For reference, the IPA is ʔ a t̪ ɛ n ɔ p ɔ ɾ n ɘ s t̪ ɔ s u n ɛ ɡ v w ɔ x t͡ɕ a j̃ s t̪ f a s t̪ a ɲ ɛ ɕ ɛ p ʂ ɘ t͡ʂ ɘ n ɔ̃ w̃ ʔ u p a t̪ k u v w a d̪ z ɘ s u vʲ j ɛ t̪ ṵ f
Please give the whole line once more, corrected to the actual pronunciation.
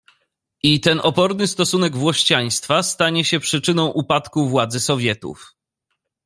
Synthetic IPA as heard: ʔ i t̪ ɛ n ɔ p ɔ ɾ n ɘ s t̪ ɔ s u n ɛ ɡ v w ɔ ɕ t͡ɕ a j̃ s t̪ f a s t̪ a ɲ ɛ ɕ ɛ p ʂ ɘ t͡ʂ ɘ n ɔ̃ w̃ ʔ u p a t̪ k u v w a d̪ z ɘ s ɔ vʲ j ɛ t̪ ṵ f